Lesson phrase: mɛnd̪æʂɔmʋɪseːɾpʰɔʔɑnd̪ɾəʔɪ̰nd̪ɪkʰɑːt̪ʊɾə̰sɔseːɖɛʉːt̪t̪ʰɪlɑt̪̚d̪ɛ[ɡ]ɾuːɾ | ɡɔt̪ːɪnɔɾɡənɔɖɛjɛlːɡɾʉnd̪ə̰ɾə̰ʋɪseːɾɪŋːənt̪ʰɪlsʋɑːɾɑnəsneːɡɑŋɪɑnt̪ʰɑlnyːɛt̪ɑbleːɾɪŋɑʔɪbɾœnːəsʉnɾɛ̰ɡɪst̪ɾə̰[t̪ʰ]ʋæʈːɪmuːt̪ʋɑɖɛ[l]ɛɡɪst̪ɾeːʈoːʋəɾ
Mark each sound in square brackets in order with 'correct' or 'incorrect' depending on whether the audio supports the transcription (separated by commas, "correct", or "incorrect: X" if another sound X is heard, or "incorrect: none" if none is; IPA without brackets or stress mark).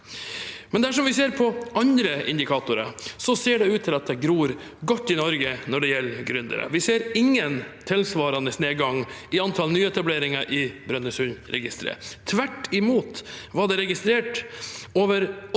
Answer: correct, correct, incorrect: ɾ